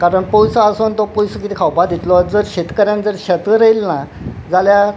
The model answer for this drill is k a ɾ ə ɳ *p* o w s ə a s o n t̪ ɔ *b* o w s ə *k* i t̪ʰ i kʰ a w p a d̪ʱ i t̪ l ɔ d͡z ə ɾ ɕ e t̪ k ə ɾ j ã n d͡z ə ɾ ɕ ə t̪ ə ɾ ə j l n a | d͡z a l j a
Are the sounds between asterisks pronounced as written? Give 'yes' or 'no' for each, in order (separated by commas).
yes, no, yes